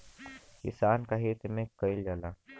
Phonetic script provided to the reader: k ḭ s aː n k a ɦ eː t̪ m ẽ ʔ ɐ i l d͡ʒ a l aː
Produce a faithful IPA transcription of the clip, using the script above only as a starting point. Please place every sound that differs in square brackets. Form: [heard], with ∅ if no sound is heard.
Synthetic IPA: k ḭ s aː n k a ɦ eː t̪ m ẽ [k] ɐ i l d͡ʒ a l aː

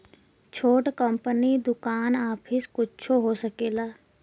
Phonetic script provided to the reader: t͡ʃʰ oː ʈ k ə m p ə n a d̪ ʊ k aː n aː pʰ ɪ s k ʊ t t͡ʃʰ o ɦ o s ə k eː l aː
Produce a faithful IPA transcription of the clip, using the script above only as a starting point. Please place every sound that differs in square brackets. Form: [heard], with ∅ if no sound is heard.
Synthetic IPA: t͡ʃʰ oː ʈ k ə m p ə n [i] d̪ ʊ k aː n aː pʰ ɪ s k ʊ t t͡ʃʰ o ɦ o s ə k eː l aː

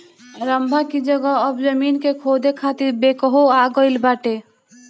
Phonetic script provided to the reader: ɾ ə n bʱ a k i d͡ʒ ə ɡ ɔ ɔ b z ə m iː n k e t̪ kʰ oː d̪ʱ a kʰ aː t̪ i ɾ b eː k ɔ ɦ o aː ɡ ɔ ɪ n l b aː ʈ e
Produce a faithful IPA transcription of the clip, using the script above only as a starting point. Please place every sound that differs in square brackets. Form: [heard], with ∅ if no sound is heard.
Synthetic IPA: ɾ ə [m] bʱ a k i d͡ʒ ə ɡ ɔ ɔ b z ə m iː n k e [∅] kʰ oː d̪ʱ [e] kʰ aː t̪ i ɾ b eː k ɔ ɦ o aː ɡ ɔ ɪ [∅] l b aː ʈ e

